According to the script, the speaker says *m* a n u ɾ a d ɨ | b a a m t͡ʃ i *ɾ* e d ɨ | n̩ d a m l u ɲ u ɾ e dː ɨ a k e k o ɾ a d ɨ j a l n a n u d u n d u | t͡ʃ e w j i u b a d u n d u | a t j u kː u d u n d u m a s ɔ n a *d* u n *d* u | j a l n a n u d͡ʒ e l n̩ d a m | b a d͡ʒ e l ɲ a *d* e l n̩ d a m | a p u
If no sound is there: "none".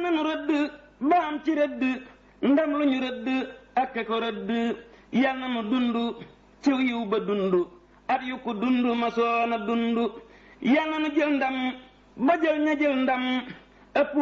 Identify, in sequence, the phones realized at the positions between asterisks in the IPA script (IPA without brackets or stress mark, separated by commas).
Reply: n, ɾ, d, d, d͡ʒ